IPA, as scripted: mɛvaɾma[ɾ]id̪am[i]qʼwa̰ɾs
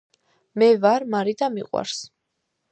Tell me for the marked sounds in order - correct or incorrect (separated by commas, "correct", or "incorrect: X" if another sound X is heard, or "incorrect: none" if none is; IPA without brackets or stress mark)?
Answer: correct, correct